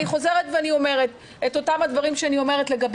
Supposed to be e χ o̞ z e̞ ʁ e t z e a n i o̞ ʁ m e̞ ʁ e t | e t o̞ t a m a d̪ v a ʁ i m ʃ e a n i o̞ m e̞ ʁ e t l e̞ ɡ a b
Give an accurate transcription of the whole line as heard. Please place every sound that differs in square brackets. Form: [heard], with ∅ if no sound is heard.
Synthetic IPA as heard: [i] χ o̞ z e̞ ʁ e t [v] e a n i o̞ [∅] m e̞ ʁ e t | e t o̞ t a m a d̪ v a ʁ i m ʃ e a n i o̞ m e̞ ʁ e t l e̞ ɡ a b